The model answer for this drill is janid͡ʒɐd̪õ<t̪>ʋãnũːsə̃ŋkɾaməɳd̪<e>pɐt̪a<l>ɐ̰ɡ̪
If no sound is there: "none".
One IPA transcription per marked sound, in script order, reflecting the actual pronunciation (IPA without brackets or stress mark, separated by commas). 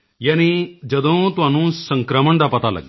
t̪, a, l